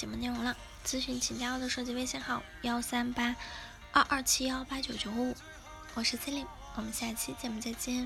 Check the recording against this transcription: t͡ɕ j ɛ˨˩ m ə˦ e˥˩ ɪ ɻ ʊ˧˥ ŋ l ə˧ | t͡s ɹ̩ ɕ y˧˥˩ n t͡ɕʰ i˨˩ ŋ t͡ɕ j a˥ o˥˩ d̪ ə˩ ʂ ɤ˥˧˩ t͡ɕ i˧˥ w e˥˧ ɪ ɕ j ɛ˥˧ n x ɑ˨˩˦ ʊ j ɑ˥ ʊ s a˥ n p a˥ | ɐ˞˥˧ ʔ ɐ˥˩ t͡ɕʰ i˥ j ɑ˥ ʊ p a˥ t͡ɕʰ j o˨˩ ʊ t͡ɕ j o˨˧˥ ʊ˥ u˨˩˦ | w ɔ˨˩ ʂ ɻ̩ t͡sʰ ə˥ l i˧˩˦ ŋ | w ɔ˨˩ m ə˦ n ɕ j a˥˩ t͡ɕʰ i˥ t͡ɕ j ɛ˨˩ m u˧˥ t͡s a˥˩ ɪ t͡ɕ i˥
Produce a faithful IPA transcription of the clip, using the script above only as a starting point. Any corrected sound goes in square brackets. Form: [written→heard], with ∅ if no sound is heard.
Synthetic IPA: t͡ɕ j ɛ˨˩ m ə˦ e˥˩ ɪ ɻ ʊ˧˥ ŋ l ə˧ | t͡s ɹ̩ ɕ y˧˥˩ n t͡ɕʰ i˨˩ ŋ t͡ɕ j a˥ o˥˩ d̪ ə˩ ʂ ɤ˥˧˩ t͡ɕ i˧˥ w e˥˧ ɪ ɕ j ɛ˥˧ n x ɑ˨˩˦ ʊ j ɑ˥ ʊ s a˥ n p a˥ | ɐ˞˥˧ ʔ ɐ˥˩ t͡ɕʰ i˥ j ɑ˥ ʊ p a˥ [t͡ɕʰ→t͡ɕ] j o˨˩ ʊ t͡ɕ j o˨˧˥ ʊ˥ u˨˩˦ | w ɔ˨˩ ʂ ɻ̩ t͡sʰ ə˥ l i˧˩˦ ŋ | w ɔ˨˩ m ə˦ n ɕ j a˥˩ t͡ɕʰ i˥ t͡ɕ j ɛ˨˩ m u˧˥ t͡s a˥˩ ɪ t͡ɕ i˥